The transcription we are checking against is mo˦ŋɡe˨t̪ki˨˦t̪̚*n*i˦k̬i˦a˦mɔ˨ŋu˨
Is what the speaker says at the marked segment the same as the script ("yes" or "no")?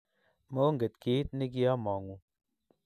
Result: yes